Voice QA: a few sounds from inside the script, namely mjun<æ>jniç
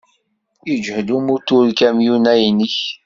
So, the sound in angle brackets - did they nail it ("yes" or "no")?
yes